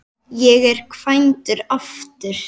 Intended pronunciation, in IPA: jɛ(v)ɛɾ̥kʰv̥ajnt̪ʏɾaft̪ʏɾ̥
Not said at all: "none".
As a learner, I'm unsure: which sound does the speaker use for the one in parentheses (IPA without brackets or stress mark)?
ɣ